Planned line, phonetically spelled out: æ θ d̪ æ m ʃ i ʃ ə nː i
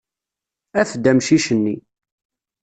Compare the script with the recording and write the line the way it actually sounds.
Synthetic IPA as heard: æ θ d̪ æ m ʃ i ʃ ə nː i